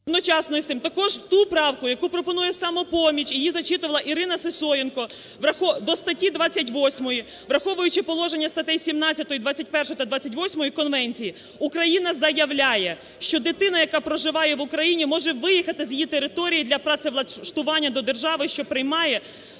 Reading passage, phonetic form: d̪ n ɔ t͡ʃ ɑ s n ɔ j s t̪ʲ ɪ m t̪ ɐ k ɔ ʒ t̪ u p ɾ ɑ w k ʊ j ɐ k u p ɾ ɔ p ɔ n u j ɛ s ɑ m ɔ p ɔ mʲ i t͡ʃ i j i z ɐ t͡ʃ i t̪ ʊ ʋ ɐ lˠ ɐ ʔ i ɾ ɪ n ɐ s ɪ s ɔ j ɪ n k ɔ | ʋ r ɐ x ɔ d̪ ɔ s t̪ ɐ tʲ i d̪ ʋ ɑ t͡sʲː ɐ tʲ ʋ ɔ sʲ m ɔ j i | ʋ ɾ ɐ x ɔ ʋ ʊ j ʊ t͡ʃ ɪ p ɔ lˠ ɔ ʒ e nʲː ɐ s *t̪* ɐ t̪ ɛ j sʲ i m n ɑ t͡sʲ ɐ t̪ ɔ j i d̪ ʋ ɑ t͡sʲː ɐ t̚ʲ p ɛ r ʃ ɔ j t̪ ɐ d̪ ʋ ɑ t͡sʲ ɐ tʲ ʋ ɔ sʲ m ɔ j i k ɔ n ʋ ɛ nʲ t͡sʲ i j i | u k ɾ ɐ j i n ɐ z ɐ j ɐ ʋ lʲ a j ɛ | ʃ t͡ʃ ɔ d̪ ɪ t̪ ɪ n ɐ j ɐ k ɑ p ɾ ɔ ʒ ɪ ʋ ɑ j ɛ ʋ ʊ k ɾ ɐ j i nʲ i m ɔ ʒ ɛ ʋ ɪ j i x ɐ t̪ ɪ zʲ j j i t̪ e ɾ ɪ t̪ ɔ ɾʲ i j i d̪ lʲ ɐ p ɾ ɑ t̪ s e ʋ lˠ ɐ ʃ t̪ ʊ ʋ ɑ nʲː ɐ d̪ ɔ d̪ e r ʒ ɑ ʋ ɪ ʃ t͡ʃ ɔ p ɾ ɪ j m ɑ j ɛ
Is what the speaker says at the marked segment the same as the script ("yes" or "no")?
yes